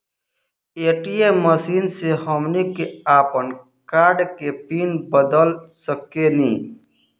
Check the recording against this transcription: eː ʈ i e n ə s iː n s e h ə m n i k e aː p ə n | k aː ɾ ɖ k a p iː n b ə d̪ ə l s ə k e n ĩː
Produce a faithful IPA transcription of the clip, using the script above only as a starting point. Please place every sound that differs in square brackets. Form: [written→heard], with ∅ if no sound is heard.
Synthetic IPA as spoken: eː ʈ i e [n→m] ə s iː n s e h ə m n i k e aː p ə n | k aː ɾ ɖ k [a→e] p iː n b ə d̪ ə l s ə k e n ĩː